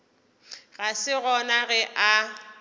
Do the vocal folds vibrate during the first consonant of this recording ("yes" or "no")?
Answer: yes